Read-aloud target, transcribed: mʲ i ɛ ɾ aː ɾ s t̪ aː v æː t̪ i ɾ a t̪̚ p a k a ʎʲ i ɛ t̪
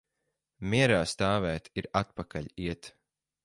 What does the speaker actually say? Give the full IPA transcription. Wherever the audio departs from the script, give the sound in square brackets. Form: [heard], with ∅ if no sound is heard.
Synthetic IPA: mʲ i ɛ ɾ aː [∅] s t̪ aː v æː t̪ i ɾ a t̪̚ p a k a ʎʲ i ɛ t̪